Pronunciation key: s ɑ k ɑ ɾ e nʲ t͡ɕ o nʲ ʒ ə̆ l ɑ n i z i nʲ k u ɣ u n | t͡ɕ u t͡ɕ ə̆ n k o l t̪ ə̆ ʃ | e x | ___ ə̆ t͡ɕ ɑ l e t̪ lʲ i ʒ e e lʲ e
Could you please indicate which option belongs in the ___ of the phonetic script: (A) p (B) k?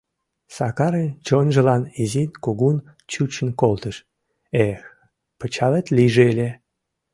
A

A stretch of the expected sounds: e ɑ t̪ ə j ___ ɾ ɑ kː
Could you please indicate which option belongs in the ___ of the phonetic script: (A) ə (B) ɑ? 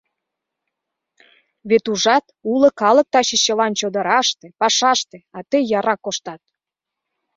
B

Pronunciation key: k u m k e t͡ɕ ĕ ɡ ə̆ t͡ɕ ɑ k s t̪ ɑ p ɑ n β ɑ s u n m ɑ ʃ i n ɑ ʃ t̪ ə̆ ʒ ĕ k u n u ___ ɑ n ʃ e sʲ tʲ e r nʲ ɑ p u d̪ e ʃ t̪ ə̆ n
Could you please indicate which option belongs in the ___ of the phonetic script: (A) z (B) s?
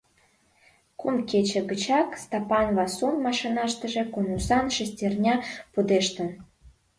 B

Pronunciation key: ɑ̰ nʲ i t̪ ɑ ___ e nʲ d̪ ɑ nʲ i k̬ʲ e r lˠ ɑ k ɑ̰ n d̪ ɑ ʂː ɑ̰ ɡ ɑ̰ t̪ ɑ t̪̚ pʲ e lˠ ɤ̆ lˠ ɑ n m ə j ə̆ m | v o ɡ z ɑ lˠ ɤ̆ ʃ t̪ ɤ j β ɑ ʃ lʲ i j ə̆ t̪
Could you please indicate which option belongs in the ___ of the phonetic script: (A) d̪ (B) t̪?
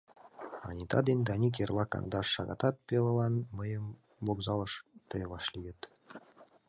A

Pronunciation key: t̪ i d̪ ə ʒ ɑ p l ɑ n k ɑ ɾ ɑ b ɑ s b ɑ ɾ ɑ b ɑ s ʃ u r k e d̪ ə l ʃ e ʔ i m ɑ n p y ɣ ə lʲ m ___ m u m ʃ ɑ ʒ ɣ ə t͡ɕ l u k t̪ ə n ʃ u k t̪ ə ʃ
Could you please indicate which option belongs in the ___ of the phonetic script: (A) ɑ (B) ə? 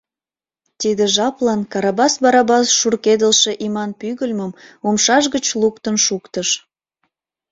B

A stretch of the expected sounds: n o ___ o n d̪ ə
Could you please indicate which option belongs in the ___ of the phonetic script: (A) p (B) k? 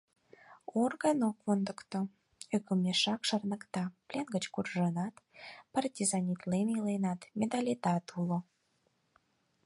B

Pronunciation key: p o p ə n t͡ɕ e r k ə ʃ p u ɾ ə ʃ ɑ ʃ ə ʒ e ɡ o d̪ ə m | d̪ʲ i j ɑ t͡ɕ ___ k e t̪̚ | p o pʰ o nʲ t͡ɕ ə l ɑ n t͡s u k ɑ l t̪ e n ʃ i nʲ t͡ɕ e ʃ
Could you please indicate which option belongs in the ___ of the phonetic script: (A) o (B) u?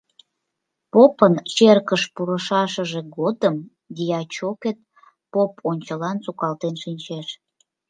A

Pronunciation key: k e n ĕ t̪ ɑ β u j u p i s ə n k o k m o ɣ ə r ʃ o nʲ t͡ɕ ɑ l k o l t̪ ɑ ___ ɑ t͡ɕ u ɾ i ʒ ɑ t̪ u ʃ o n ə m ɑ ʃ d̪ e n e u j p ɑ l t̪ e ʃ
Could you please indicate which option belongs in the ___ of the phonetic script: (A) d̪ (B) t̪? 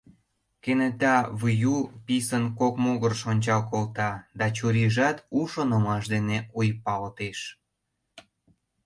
A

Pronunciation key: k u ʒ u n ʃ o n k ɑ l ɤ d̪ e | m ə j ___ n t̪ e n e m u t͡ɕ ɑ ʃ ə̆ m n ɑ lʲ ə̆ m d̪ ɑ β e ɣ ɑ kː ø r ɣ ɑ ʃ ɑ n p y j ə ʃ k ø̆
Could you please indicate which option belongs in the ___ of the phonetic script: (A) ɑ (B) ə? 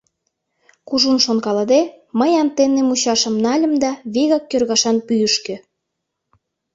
A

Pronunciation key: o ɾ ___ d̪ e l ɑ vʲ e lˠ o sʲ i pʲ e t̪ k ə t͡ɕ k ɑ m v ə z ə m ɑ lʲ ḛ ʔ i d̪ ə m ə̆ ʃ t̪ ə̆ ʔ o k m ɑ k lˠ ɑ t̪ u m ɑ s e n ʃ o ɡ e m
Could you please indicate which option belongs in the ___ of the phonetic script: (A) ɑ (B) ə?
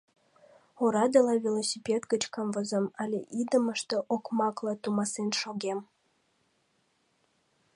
A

